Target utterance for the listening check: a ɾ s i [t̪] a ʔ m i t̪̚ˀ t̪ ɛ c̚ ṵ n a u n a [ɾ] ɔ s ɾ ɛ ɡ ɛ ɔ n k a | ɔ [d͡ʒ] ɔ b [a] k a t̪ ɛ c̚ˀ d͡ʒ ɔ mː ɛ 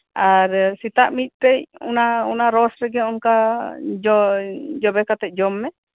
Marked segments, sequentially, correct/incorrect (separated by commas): correct, correct, correct, incorrect